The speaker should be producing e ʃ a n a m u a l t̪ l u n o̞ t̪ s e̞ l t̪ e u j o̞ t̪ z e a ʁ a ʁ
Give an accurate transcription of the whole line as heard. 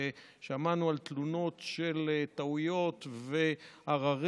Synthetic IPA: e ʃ a m a n u a l t̪ l u n o̞ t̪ ʃ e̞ l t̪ a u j o̞ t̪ v e a ʁ a ʁ